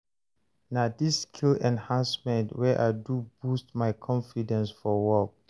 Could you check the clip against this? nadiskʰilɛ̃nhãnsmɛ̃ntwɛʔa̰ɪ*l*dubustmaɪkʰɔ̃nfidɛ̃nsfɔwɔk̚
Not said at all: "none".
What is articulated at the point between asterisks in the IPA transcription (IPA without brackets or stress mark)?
none